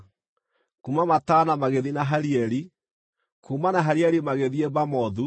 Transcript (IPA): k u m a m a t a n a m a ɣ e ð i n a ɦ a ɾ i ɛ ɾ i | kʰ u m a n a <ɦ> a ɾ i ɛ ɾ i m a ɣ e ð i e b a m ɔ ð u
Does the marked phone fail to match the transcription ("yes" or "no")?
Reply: no